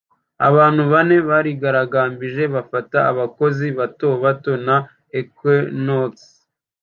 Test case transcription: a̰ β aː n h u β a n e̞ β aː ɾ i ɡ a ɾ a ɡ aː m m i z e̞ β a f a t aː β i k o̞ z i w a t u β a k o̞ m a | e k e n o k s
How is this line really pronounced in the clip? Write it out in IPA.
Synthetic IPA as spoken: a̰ β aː n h u β a n e̞ β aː ɾ i ɡ a ɾ a ɡ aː m b i ʒ e̞ β a f a t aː β a k o̞ z i β a t o β a t o̞ n a | e k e n o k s

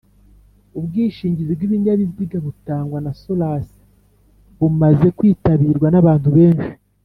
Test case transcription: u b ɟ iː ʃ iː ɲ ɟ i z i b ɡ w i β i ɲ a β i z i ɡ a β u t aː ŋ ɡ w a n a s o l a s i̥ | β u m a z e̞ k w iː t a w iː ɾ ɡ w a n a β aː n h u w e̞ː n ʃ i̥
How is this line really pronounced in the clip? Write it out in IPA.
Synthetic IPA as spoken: u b ɡ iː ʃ iː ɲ ɟ i z i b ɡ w i β i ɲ a β i z i ɡ a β u t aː ŋ ɡ w a n a s o l a s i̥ | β u m a z e̞ k w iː t a β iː ɾ ɡ w a n a β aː n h u β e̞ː n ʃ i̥

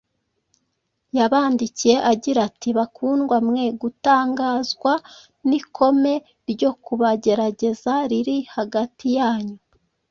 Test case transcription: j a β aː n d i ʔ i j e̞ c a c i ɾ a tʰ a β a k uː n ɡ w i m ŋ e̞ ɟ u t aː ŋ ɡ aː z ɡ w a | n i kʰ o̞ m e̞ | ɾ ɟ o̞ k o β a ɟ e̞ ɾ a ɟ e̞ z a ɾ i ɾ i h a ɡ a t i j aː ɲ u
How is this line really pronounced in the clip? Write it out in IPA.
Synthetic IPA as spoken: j a β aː n d i c i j e̞ ʔ a ɟ i ɾ a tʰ i β a k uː n ɡ w a m ŋ e̞ ɡ u t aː ŋ ɡ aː z ɡ w a | n i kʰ o̞ m e̞ | ɾ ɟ o̞ k u β a ɟ e̞ ɾ a ɟ e̞ z a ɾ i ɾ i h a ɡ a t i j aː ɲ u

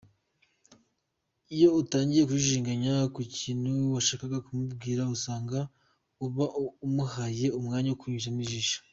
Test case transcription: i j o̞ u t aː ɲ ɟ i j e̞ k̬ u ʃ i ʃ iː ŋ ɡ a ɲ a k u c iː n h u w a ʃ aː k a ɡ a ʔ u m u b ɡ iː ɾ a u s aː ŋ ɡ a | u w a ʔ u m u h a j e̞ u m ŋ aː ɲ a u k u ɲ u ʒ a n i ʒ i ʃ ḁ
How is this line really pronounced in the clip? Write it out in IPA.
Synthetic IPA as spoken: i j o̞ u t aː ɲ ɟ i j e̞ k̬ u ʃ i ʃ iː ŋ ɡ a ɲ a k u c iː n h u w a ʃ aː k a ɡ a k u m u b ɡ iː ɾ a u s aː ŋ ɡ a | u β a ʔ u m u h a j e̞ u m ŋ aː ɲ a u k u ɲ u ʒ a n i ʒ i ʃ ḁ

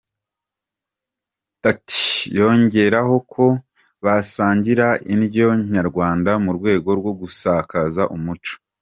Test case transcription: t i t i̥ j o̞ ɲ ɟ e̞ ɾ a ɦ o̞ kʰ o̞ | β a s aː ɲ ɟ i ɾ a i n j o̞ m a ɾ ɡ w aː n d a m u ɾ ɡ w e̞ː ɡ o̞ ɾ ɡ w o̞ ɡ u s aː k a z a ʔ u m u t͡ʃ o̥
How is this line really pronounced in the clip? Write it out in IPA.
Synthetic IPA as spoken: t a t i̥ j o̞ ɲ ɟ e̞ ɾ a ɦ o̞ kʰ o̞ | β a s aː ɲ ɟ i ɾ a i n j o̞ ɲ a ɾ ɡ w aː n d a m u ɾ ɡ w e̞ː ɡ o̞ ɾ ɡ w o̞ ɡ u s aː k a z a ʔ u m u t͡ʃ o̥

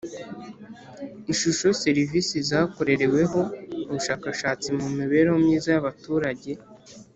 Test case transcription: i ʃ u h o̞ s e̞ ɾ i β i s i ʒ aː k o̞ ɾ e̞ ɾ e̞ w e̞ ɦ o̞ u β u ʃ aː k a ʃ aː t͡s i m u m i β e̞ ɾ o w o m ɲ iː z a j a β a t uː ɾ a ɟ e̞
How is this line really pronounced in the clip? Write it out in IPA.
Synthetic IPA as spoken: i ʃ u ʃ o̞ s e̞ ɾ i v i s i z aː k o̞ ɾ e̞ ɾ e̞ w e̞ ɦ o̞ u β u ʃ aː k a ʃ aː t͡s i m u m i β e̞ ɾ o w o m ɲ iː z a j a β a t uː ɾ a ɟ e̞

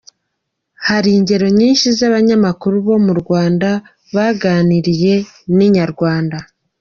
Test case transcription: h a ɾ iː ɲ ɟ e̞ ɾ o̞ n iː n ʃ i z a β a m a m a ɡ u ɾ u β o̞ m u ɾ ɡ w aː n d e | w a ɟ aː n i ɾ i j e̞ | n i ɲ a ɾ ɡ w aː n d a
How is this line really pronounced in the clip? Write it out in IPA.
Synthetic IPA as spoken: h a ɾ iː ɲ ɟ e̞ ɾ o̞ ɲ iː n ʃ i z a β a ɲ a m a k u ɾ u β o̞ m u ɾ ɡ w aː n d a | β a ɡ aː n i ɾ i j e̞ | n i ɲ a ɾ ɡ w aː n d a

